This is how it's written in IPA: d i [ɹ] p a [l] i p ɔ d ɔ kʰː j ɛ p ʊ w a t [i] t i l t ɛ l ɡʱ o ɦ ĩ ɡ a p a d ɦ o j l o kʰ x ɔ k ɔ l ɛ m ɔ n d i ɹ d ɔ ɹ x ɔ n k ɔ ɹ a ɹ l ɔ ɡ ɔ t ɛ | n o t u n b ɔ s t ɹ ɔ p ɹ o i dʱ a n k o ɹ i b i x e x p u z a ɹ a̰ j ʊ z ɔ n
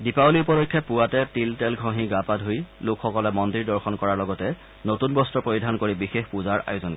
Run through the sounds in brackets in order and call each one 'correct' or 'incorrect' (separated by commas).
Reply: incorrect, correct, incorrect